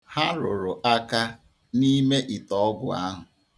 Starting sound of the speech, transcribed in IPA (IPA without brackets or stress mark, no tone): h